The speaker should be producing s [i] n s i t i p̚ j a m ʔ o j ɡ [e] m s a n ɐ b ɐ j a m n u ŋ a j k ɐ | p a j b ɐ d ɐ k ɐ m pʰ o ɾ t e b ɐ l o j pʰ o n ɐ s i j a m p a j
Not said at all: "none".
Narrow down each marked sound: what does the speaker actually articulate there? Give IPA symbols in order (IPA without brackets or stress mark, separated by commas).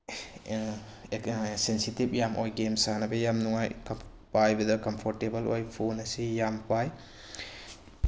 e, e